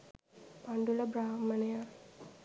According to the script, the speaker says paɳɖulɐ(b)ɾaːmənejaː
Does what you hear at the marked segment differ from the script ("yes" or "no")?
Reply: no